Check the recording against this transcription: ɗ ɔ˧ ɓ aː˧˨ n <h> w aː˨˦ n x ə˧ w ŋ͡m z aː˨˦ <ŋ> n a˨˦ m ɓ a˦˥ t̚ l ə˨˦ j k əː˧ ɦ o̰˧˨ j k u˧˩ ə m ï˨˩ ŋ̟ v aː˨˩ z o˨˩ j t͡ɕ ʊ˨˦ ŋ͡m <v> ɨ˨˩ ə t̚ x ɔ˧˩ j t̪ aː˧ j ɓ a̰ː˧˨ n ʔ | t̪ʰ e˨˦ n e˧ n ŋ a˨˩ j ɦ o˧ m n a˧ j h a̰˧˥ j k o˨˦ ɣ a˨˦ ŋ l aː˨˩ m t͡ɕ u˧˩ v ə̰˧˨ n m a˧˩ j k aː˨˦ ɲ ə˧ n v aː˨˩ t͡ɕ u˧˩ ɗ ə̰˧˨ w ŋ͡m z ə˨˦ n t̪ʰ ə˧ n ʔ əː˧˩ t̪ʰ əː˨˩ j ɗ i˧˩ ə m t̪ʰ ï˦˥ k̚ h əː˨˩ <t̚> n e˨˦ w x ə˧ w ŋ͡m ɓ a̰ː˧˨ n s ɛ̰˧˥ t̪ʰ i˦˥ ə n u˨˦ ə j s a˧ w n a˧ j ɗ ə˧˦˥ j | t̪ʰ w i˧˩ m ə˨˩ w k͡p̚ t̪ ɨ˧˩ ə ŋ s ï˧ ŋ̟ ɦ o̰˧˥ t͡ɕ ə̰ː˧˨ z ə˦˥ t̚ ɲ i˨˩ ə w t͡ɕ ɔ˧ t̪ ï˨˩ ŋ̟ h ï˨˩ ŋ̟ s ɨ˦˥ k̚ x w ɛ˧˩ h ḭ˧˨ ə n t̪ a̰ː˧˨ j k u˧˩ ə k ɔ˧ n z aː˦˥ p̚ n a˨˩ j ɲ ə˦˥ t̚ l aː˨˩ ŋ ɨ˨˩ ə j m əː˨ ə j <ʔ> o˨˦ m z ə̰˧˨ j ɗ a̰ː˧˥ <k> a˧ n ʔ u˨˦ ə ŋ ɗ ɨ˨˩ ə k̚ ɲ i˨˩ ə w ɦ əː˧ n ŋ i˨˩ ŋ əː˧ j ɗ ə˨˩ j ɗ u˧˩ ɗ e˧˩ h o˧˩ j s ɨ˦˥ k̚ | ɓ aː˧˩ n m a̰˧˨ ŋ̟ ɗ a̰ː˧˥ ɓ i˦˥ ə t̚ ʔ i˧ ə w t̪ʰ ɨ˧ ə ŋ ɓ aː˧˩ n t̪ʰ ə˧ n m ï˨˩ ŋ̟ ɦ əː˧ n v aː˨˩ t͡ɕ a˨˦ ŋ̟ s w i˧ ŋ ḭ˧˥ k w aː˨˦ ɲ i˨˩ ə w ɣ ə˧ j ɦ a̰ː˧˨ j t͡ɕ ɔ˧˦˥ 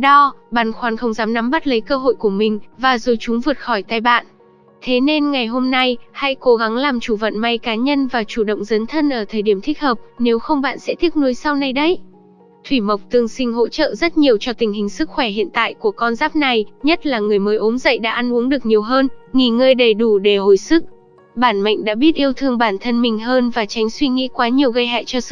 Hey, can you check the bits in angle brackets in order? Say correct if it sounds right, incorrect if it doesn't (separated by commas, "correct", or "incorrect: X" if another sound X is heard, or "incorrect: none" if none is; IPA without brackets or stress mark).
incorrect: x, incorrect: m, correct, incorrect: p̚, correct, incorrect: ʔ